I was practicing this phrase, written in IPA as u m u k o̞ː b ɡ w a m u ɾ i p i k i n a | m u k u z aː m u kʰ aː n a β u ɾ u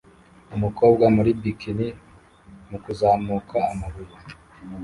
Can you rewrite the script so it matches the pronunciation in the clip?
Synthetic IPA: u m u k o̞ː b ɡ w a m u ɾ i b i k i n i | m u k u z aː m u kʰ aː m a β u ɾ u